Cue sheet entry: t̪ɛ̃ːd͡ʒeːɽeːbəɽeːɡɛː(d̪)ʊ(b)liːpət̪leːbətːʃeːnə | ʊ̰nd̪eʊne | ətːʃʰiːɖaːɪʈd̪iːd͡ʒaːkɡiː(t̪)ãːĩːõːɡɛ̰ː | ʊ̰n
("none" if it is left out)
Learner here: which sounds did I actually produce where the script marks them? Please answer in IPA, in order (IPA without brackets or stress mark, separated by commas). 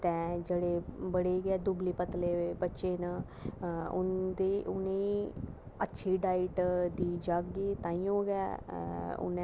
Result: d̪, b, t̪